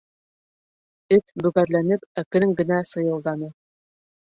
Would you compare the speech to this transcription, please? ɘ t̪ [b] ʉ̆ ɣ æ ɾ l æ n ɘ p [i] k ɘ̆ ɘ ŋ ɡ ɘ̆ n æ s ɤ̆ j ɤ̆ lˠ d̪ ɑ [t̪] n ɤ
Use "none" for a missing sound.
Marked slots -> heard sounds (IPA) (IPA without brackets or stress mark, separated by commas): b, æ, none